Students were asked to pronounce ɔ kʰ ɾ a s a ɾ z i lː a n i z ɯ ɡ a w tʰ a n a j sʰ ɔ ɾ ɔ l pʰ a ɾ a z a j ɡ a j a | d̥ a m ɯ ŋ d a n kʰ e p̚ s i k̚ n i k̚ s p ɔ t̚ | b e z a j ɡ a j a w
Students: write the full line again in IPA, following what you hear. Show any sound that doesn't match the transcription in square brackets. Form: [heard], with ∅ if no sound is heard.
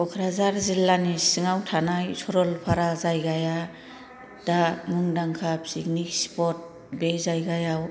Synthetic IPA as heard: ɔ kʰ ɾ a [z] a ɾ z i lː a n i [s] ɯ [ŋ] a w tʰ a n a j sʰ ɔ ɾ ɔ l pʰ a ɾ a z a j ɡ a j a | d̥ a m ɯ ŋ d a [ŋ] kʰ [a] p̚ s i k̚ n i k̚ s p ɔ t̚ | b e z a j ɡ a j a w